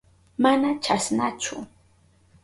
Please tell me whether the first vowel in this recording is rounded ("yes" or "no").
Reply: no